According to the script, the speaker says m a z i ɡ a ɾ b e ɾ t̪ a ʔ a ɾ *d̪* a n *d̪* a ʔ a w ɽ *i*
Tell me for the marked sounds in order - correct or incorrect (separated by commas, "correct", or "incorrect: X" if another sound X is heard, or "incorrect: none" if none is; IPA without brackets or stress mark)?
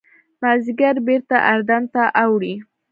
correct, incorrect: t̪, correct